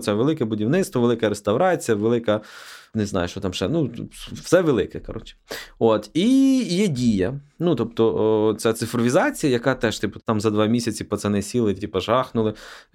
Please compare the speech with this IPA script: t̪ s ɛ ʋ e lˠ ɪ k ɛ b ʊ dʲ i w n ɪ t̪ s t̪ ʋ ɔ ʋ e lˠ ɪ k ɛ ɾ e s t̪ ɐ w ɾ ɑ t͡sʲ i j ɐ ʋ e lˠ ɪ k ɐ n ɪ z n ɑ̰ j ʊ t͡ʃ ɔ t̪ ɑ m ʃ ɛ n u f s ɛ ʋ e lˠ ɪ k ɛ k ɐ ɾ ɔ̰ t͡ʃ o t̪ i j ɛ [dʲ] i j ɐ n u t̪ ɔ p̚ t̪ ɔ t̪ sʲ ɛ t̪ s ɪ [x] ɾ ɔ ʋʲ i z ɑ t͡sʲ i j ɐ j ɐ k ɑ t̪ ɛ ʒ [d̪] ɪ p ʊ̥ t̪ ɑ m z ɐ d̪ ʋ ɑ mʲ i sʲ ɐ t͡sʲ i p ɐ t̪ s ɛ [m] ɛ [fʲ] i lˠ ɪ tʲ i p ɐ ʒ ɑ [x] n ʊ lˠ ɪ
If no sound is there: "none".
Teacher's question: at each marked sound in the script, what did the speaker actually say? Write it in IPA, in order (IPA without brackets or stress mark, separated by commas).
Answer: dʲ, f, t̪, n, sʲ, x